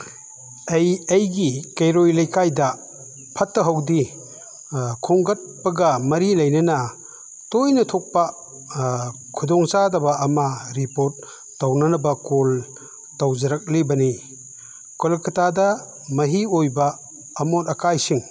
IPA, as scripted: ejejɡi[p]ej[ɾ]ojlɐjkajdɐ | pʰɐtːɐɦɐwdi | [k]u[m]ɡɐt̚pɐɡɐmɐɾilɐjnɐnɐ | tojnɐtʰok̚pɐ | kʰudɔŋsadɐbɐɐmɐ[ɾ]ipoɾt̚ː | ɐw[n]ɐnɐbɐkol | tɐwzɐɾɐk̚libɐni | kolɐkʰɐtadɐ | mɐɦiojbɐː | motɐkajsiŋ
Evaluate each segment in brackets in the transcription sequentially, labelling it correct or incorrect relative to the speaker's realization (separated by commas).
incorrect, correct, incorrect, incorrect, correct, correct